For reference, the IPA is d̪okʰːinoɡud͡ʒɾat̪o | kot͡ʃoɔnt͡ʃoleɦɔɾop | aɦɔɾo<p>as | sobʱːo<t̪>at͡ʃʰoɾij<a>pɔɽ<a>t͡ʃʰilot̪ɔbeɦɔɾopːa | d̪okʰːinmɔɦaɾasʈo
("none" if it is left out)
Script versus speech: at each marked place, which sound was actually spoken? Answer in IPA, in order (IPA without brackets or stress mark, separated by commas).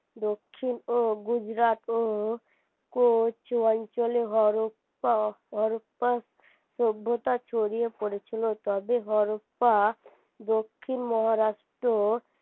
p, t̪, e, e